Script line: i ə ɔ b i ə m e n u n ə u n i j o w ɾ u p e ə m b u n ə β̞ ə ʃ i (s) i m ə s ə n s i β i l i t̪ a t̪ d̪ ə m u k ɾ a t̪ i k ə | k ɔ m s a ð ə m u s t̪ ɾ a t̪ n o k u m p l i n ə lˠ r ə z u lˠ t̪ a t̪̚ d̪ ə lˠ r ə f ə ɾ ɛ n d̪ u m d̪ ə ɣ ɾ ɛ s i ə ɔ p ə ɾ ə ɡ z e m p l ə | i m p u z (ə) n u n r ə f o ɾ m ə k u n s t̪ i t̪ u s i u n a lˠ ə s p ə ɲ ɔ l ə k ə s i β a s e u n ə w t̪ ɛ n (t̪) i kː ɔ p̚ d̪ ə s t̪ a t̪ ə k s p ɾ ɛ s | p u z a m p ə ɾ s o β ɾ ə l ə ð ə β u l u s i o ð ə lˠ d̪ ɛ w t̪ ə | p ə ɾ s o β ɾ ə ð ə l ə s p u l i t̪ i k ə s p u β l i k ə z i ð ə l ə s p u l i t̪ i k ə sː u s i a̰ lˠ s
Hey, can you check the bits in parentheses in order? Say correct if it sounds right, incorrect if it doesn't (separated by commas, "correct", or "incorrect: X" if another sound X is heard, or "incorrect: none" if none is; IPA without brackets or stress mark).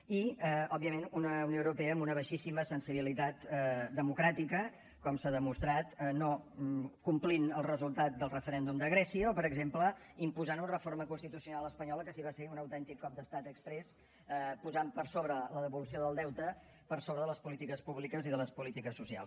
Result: correct, incorrect: a, correct